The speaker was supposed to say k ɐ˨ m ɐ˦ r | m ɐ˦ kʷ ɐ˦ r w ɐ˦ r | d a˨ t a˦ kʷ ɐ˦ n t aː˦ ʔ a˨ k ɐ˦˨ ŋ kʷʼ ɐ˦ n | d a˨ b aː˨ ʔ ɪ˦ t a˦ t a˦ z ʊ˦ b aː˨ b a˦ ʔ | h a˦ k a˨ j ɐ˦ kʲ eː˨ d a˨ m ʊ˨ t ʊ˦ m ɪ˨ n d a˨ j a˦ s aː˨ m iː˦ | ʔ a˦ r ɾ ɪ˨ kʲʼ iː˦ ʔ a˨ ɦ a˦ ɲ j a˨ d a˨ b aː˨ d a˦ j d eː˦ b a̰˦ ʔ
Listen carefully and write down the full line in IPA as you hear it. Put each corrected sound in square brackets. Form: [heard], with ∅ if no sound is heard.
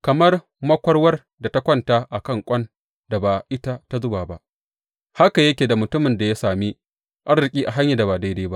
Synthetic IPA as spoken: k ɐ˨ m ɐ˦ r | m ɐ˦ kʷ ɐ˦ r w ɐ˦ r | d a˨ t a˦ kʷ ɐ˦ n t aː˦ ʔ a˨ k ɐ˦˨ ŋ kʷʼ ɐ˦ n | d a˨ b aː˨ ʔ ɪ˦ t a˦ t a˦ z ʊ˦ b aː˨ b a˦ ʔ | h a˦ k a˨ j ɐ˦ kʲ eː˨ d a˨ m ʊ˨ t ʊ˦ m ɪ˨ n d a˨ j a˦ s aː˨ m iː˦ | ʔ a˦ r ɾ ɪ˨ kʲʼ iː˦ ʔ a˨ ɦ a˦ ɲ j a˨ d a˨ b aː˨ d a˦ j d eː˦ b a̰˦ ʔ